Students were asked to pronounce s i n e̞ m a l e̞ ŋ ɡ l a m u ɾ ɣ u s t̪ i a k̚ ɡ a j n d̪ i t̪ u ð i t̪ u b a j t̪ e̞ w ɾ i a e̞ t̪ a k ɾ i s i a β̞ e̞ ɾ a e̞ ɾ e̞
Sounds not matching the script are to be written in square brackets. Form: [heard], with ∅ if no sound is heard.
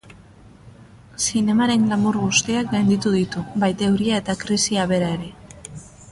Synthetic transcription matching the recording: s i n e̞ m a [ɾ] e̞ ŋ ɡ l a m u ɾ ɣ u s t̪ i a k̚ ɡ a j n d̪ i t̪ u ð i t̪ u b a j t̪ e̞ w ɾ i a e̞ t̪ a k ɾ i s i a β̞ e̞ ɾ a e̞ ɾ e̞